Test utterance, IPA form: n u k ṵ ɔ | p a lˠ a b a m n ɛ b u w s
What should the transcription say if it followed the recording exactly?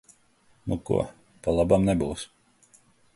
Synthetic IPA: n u k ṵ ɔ | p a lˠ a b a m n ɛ b u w s